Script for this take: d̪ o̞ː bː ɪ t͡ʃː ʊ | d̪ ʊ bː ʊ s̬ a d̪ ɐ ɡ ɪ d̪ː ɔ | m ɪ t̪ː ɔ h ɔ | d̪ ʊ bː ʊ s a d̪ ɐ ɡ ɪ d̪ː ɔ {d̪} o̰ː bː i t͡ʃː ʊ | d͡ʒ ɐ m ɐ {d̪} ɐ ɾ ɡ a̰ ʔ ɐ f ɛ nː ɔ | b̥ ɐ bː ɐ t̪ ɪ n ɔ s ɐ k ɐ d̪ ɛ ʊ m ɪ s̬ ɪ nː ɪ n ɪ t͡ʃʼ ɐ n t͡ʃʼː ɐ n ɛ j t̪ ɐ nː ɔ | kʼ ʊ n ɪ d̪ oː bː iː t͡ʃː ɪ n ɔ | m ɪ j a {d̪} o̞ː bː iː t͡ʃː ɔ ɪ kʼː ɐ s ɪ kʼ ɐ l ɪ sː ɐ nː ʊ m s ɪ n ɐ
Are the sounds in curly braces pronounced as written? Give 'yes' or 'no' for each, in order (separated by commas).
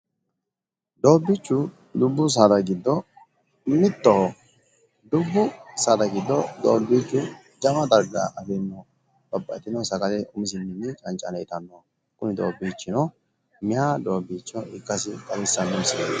yes, yes, yes